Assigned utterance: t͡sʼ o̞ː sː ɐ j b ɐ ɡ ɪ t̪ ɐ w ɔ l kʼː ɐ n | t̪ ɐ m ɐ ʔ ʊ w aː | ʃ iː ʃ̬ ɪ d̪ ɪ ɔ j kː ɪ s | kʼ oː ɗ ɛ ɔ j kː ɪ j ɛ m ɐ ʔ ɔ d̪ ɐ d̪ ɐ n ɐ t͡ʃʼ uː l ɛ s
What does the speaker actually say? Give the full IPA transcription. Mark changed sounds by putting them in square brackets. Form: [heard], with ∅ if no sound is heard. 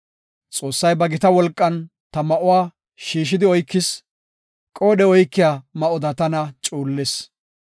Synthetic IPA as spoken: t͡sʼ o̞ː sː ɐ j b ɐ ɡ ɪ t̪ ɐ w ɔ l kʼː ɐ n | t̪ ɐ m ɐ ʔ ʊ w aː | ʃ iː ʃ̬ ɪ d̪ ɪ ɔ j kː ɪ s | kʼ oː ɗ ɛ ɔ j kː ɪ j [a] m ɐ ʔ ɔ d̪ ɐ [t̪] ɐ n ɐ t͡ʃʼ uː [lː] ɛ s